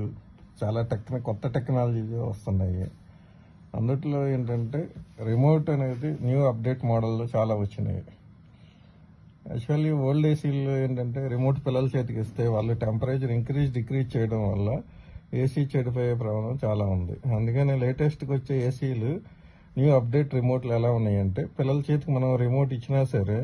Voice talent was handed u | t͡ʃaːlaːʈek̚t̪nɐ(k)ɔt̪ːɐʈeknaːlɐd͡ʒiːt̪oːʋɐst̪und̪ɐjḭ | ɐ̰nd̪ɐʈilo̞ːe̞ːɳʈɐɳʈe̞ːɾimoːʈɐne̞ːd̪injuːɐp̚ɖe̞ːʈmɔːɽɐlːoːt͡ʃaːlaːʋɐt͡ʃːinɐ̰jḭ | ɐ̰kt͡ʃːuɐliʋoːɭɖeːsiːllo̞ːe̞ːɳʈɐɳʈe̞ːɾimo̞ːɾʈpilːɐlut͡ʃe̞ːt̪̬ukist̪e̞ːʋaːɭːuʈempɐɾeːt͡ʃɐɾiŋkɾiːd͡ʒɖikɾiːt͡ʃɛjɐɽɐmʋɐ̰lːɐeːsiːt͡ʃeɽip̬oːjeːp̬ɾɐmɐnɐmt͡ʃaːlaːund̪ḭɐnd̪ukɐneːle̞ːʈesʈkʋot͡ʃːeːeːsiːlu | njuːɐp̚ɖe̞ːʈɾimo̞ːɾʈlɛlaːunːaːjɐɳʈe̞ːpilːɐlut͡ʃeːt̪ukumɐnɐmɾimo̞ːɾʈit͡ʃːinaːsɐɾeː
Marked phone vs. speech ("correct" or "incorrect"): correct